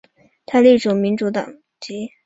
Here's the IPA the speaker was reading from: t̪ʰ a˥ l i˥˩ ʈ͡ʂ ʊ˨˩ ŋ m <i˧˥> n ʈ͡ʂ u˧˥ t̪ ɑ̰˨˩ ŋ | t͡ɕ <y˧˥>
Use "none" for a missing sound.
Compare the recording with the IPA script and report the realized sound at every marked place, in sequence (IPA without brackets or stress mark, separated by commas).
i˧˥, i˧˥